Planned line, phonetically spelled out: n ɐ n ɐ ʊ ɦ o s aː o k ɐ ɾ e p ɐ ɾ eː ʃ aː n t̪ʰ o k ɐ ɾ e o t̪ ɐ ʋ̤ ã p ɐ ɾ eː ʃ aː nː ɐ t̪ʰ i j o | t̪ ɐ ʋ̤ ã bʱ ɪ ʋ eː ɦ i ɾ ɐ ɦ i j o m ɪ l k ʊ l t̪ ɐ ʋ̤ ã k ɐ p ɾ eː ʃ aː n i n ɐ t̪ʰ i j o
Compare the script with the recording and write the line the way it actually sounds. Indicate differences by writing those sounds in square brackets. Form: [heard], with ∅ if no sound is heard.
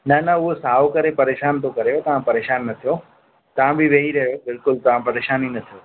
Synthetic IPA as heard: n ɐ n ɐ ʊ ɦ o s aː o k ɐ ɾ e p ɐ ɾ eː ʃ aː n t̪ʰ o k ɐ ɾ e o t̪ ɐ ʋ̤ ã p ɐ ɾ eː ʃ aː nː ɐ t̪ʰ i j o | t̪ ɐ ʋ̤ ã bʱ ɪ ʋ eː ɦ i ɾ ɐ ɦ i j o [b] ɪ l k ʊ l t̪ ɐ ʋ̤ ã [p] ɐ [∅] ɾ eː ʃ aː n i n ɐ t̪ʰ i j o